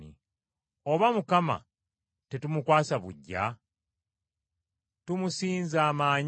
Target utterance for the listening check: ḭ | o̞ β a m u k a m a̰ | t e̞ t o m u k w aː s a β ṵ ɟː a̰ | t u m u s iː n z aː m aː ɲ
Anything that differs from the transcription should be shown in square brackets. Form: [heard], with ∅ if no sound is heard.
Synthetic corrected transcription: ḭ | o̞ β a m u k a m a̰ | t e̞ t [u] m u k w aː s a β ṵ ɟː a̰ | t u m u s iː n z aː m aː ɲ